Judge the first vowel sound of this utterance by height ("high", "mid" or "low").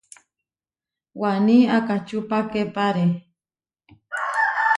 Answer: low